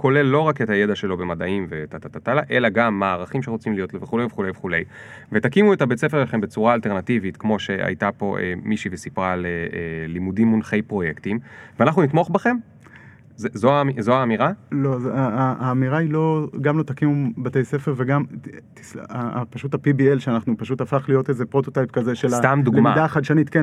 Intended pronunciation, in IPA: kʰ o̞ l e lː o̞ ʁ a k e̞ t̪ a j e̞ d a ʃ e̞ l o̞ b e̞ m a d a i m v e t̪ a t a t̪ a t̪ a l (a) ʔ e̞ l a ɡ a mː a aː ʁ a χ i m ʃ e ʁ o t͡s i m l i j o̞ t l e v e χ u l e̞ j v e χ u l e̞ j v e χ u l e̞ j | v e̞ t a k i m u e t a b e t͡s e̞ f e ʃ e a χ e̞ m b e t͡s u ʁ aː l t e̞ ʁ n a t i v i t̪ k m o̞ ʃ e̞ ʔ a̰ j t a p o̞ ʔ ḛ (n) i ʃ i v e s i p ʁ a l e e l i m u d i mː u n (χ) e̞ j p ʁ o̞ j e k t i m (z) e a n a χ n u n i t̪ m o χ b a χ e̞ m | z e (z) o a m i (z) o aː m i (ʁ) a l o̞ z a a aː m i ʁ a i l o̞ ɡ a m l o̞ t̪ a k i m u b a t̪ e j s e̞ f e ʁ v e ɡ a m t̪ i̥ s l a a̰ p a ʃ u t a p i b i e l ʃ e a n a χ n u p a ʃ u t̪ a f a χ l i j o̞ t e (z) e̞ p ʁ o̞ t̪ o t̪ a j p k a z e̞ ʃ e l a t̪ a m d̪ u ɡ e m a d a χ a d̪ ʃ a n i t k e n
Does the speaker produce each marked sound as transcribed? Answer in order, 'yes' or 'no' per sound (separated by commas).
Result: yes, no, yes, no, yes, yes, yes, yes